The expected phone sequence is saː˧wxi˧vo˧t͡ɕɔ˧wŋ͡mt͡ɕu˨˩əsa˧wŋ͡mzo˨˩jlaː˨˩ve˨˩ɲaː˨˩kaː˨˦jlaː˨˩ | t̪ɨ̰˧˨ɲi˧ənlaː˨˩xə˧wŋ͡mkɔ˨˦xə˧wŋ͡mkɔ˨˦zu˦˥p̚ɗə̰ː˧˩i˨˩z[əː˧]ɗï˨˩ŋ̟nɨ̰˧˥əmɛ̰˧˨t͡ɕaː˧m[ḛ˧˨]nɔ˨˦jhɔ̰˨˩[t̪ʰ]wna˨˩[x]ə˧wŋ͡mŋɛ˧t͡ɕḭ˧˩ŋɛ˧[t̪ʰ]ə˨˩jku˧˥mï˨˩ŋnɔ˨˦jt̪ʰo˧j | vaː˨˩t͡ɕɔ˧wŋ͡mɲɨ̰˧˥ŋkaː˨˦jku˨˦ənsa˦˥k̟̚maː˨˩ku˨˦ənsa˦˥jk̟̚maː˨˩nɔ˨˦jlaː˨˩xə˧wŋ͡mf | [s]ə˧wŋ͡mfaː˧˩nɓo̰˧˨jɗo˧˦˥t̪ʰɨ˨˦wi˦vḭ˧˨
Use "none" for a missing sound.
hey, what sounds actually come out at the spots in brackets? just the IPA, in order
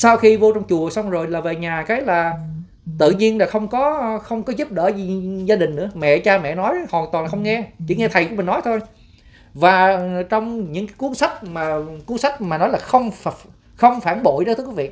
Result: aː˧, ɛ̰˧˨, t̪, x, t̪ʰ, x

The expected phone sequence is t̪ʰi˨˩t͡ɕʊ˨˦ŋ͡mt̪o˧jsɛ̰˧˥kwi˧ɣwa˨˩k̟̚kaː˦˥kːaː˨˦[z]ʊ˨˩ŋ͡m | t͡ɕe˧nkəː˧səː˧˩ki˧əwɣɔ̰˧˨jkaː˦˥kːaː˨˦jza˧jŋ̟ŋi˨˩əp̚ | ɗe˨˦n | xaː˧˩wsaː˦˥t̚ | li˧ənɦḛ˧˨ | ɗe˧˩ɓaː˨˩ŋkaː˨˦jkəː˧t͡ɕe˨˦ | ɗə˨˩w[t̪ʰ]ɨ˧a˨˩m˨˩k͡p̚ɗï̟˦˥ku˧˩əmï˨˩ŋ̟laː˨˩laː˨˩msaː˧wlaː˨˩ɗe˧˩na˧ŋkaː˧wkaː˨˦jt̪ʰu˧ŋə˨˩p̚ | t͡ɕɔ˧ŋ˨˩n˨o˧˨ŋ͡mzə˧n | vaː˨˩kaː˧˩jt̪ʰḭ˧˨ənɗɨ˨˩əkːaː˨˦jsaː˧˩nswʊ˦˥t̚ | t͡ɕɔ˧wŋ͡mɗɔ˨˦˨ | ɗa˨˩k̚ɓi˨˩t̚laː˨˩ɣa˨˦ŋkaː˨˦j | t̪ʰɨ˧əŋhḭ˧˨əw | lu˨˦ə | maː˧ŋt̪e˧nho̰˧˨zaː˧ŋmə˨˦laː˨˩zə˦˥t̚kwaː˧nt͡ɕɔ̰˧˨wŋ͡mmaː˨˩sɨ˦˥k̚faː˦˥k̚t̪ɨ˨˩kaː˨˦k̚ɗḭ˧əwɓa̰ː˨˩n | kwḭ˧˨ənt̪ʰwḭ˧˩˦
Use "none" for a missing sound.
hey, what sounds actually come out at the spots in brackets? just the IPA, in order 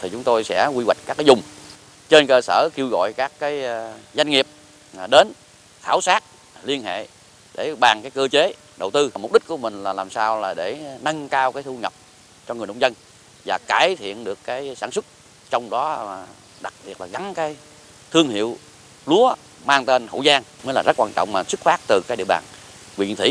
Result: z, t̪

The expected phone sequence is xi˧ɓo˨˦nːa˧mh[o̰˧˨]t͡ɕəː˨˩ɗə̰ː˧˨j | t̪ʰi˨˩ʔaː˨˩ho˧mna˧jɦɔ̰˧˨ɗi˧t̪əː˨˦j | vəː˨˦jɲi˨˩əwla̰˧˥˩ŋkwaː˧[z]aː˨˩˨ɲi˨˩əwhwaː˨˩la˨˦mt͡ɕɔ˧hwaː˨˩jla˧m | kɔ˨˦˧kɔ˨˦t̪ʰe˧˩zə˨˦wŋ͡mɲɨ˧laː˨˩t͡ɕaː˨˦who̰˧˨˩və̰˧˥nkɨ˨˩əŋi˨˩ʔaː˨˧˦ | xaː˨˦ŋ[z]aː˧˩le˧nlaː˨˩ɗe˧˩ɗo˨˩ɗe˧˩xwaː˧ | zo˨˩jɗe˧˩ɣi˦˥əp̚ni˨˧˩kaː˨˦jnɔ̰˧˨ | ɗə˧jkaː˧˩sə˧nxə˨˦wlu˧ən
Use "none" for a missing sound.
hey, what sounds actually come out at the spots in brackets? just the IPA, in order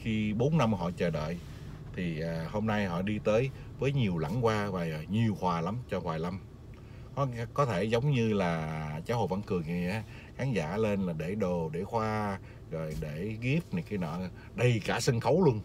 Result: ɔ̰˧˨, v, z

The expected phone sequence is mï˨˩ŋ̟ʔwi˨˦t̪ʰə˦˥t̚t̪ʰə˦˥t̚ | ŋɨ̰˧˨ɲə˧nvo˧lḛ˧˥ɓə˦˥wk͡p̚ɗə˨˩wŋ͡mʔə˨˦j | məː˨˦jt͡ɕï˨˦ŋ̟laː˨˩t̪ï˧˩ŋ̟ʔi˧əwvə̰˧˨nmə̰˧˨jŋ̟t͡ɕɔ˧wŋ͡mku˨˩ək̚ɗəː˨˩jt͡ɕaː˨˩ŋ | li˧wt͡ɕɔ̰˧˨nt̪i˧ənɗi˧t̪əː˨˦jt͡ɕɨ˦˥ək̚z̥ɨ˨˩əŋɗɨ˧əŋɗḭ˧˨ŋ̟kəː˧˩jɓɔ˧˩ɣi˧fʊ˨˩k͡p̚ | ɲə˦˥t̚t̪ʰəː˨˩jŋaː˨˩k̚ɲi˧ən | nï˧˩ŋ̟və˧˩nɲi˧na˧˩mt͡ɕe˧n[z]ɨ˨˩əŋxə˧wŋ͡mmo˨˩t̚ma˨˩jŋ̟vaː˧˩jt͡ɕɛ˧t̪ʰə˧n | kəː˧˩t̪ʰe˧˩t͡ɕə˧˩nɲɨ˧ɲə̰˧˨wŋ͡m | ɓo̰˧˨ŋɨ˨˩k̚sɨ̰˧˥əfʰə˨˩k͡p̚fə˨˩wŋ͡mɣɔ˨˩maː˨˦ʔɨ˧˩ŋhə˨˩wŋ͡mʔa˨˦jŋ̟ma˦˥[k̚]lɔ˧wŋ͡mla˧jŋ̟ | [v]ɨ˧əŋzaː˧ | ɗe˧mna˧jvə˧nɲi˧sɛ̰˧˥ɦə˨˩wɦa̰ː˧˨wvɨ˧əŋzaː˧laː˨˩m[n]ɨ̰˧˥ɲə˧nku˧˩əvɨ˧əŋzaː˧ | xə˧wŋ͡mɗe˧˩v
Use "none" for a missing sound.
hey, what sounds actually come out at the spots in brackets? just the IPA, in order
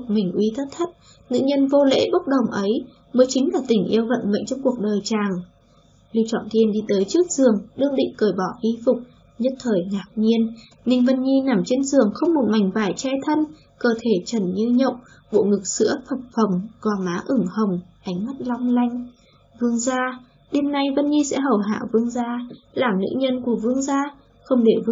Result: z, t̚, v, n

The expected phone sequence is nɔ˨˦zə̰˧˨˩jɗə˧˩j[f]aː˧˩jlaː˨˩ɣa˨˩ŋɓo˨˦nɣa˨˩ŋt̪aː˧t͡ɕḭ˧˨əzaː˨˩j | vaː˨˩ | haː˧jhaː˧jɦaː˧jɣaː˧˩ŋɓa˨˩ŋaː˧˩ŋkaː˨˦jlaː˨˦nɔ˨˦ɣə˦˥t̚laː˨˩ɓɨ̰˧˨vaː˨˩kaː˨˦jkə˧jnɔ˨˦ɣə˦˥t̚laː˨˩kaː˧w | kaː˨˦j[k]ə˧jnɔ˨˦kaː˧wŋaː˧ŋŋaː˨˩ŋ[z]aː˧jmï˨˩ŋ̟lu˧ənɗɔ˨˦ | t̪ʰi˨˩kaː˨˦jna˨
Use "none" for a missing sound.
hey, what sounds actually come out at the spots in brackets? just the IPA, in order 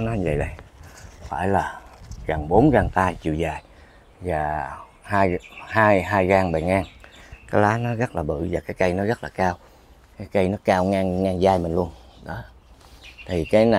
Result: f, k, z

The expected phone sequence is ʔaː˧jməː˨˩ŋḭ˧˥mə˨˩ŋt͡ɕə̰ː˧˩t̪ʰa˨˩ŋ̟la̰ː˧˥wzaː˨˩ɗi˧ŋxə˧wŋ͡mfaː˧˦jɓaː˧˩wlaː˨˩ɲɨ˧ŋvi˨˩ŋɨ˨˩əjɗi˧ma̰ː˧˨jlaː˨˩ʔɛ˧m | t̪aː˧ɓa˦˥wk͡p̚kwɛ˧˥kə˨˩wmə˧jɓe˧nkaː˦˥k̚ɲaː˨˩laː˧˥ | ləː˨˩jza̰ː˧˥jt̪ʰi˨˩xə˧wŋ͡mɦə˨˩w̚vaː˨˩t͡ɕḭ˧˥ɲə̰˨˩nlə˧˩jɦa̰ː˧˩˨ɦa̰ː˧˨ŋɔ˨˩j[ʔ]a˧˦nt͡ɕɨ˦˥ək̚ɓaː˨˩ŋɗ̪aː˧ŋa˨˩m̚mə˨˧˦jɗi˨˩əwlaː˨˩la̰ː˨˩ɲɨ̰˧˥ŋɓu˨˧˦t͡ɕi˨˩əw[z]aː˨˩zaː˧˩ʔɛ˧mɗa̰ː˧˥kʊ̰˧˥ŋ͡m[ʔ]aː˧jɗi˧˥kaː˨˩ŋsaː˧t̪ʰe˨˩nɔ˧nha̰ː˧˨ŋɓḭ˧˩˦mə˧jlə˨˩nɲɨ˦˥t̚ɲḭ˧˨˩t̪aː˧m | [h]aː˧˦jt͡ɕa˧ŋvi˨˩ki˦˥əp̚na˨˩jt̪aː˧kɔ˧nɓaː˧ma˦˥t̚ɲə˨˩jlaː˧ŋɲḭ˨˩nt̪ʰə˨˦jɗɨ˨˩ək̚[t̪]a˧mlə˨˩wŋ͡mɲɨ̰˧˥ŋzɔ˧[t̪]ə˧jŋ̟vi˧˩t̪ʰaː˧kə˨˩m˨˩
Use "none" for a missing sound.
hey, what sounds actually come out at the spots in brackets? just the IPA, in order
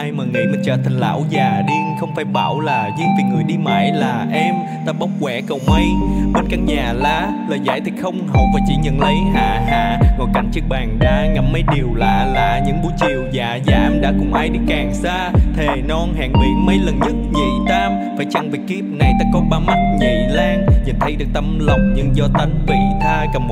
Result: k, z, ʔ, f, t̪, t̪

